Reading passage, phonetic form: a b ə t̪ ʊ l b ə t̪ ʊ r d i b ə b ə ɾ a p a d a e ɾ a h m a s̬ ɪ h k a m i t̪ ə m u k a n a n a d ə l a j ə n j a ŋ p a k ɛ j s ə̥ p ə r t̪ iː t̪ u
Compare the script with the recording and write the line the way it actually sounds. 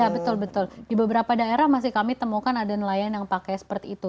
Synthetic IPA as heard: a b ə t̪ ʊ l b ə t̪ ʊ l d i b ə b ə ɾ a p a d a e ɾ a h m a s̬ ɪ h k a m i t̪ ə m u k a n a d a n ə l a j a n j a ŋ p a k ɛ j s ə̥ p ə r t̪ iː t̪ u